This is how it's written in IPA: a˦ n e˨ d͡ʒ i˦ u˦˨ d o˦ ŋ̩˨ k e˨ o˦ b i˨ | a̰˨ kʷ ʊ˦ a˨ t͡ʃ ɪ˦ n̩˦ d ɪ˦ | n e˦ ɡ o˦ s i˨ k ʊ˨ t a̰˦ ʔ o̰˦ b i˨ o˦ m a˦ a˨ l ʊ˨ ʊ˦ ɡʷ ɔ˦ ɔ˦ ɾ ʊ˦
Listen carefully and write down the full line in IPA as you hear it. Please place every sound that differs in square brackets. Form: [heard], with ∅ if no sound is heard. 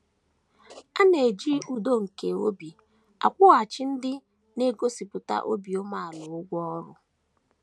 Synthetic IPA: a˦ n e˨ d͡ʒ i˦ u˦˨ d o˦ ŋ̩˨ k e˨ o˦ b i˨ | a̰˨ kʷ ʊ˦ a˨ t͡ʃ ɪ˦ n̩˦ d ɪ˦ | n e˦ ɡ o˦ s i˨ [p] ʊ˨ t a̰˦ ʔ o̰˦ b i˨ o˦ m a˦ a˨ l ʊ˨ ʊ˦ ɡʷ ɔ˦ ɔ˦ ɾ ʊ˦